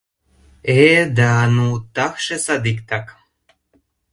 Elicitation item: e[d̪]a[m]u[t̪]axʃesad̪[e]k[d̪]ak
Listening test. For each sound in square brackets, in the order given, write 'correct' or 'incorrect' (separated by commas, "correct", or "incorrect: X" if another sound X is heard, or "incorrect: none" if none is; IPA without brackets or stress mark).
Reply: correct, incorrect: n, correct, incorrect: i, incorrect: t̪